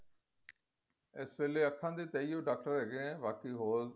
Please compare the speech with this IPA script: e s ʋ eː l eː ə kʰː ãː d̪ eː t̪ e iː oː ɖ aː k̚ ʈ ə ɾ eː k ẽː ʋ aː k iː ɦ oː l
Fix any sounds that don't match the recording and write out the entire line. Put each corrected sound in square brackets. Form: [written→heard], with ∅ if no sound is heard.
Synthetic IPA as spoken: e s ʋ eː l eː ə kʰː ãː d̪ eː t̪ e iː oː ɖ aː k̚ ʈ ə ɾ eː [k→ɡ] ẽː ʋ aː k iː ɦ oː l